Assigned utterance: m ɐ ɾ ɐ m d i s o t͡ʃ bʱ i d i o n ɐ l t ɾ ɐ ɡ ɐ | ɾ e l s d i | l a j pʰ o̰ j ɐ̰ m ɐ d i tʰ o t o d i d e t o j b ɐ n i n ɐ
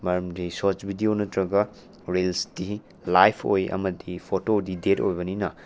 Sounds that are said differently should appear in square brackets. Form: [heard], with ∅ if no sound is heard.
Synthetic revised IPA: m ɐ ɾ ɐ m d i s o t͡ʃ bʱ i d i o n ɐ [∅] t ɾ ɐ ɡ ɐ | ɾ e l s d i | l a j pʰ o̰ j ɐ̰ m ɐ d i [pʰ] o t o d i d e t o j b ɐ n i n ɐ